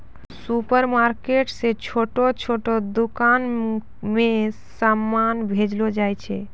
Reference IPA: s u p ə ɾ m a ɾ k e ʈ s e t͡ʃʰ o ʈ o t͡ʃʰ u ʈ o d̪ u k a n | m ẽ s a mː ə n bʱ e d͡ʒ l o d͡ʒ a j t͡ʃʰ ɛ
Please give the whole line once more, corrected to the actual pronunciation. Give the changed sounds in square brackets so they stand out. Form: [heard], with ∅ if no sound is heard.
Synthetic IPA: s u p ə ɾ m a ɾ k e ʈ s e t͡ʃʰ o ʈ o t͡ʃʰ [o] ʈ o d̪ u k a n | m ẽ s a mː [a] n bʱ e d͡ʒ l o d͡ʒ a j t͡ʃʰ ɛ